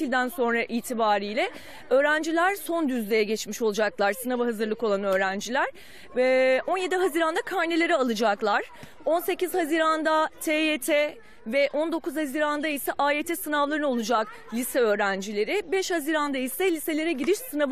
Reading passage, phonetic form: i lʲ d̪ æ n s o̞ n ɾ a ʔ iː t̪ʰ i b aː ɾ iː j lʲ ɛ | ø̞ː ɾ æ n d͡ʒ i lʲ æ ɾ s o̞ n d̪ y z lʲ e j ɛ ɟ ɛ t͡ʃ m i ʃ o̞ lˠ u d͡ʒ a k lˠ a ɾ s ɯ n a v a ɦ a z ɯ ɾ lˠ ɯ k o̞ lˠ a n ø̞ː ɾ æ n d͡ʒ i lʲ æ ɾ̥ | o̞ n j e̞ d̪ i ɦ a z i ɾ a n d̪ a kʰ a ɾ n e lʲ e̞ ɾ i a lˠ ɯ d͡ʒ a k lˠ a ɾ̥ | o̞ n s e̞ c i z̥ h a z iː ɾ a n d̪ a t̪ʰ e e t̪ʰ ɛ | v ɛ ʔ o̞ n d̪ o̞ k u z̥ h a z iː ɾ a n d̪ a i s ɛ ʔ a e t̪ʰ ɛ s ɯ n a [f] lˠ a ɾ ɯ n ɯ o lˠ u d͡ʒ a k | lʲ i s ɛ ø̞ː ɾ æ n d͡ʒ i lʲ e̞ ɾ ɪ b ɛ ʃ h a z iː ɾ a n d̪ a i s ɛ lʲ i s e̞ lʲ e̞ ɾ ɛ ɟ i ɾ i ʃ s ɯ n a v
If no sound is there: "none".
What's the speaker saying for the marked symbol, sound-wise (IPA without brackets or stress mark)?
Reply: v